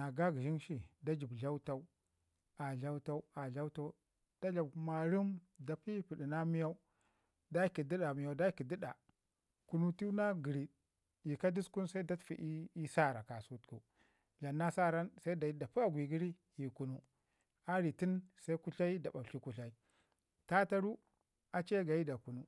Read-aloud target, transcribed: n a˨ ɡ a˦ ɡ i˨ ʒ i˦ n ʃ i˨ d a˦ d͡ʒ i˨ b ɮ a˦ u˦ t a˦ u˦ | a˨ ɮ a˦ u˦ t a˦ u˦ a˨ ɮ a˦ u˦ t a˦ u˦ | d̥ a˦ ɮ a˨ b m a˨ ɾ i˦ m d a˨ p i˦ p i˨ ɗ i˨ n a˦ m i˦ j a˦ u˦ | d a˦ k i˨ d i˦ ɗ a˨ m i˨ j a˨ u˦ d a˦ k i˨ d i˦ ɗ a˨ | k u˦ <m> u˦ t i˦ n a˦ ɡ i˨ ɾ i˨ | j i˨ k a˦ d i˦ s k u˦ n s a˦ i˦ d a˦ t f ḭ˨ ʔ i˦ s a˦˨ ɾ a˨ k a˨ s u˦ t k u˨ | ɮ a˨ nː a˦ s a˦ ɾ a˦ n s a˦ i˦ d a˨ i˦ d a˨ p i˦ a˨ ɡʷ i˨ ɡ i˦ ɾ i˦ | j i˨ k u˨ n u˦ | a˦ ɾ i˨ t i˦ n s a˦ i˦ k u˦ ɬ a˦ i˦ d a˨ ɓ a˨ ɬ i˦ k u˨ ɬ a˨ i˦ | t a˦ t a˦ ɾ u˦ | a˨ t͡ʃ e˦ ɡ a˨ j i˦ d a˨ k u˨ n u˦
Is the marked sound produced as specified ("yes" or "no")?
no